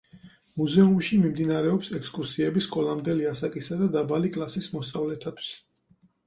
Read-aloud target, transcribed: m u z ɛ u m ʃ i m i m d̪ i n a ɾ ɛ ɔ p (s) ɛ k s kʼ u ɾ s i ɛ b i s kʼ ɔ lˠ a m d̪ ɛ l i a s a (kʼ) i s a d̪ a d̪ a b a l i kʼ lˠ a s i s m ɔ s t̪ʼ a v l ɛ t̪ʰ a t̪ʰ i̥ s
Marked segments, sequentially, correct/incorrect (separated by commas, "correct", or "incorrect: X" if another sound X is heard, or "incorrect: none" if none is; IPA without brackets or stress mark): correct, correct